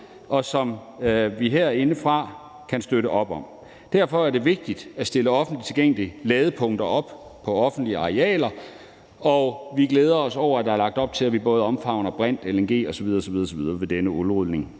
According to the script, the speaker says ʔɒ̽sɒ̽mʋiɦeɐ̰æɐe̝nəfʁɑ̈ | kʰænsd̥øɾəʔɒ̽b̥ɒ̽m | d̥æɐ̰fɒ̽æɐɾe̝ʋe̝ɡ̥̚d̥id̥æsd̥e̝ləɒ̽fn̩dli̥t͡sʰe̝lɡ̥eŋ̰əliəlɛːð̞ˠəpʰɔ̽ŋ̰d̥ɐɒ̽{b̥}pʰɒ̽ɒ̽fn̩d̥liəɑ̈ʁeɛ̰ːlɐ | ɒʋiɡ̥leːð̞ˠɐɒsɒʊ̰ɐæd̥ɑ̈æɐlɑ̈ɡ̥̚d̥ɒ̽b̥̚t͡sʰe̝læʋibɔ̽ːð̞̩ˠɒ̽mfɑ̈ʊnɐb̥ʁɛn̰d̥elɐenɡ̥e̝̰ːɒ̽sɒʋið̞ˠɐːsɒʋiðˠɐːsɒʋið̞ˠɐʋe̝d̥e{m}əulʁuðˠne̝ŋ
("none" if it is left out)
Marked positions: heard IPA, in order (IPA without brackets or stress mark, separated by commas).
b̥, n